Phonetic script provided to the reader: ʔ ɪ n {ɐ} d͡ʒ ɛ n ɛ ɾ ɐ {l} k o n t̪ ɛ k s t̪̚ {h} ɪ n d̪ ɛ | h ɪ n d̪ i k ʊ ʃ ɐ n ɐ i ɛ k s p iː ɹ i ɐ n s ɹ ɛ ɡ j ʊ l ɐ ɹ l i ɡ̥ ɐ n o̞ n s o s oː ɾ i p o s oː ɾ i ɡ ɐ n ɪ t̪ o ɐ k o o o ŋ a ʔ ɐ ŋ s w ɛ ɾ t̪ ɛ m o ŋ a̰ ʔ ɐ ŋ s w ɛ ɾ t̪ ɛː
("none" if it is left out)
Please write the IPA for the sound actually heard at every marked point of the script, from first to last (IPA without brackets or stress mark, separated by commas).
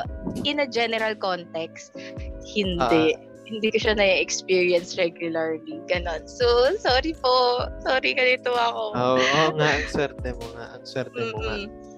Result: ɐ, l, h